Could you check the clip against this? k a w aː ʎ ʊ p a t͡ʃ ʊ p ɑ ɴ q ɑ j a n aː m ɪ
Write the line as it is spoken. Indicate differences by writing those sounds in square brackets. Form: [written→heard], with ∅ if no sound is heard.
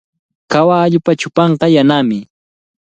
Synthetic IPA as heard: k a w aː ʎ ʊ p a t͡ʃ ʊ p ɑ ɴ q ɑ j a n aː m ɪ